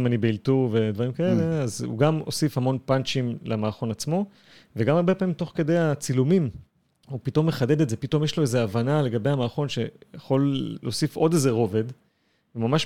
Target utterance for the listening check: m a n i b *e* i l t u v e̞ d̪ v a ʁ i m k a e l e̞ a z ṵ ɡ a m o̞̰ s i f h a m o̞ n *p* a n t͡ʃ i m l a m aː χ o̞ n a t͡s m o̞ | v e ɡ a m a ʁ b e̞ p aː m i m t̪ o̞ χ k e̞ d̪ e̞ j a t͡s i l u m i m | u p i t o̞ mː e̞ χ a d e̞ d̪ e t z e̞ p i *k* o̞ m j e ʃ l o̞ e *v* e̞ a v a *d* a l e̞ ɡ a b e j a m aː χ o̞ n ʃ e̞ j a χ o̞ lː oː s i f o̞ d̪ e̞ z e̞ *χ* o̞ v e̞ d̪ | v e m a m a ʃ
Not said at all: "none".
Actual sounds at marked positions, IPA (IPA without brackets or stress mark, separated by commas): e, p, t, z, n, ʁ